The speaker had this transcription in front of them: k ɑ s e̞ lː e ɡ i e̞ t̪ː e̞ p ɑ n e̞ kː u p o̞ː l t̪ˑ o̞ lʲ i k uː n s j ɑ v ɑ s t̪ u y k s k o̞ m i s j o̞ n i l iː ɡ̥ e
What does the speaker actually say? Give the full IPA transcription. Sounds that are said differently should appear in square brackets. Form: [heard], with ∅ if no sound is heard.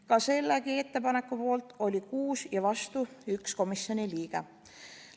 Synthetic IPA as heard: k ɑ s e̞ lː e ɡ i e̞ t̪ː e̞ p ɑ n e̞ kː u p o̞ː l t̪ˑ o̞ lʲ i k uː [∅] s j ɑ v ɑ s t̪ u y k s k o̞ m i s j o̞ n i l iː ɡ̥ e